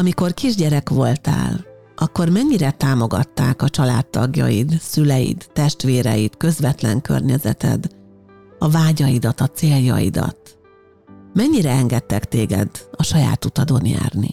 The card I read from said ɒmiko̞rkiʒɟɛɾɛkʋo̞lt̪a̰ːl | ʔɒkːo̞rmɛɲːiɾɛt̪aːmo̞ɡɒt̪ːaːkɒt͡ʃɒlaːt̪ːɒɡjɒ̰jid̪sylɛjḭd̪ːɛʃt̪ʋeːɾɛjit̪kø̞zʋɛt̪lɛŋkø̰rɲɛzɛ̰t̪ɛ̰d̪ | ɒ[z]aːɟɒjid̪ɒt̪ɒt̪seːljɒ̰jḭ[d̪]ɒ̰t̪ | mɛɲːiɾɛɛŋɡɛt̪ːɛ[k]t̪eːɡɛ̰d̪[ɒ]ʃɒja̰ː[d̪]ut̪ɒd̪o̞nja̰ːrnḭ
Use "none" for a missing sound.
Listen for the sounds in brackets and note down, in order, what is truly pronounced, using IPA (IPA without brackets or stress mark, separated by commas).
v, d̪, k, ɒ, t̪